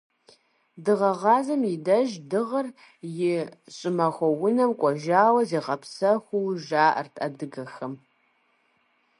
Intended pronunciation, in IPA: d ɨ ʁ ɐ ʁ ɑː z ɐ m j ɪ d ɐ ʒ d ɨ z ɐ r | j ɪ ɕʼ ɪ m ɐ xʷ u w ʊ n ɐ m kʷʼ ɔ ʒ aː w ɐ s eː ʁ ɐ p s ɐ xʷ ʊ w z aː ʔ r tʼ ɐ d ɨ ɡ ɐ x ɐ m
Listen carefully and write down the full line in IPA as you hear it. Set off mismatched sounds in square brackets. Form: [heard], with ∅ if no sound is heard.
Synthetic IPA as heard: d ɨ ʁ ɐ ʁ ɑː z ɐ m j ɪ d ɐ ʒ d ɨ [ʁ] ɐ r | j ɪ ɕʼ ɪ m ɐ xʷ [ɔ] w ʊ n ɐ m kʷʼ ɔ ʒ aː w ɐ [z] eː ʁ ɐ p s ɐ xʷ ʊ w [ʒ] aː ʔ r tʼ ɐ d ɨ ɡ ɐ x ɐ m